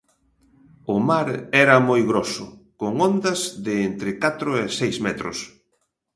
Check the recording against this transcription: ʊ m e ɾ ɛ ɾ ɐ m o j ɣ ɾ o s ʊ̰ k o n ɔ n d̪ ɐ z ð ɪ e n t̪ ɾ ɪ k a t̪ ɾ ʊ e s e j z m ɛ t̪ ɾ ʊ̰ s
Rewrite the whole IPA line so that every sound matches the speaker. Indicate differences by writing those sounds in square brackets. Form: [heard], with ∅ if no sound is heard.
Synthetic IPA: ʊ m [a] ɾ ɛ ɾ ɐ m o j ɣ ɾ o s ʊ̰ k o [ŋ] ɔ n d̪ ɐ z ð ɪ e n t̪ ɾ ɪ k a t̪ ɾ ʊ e s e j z m ɛ t̪ ɾ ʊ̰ s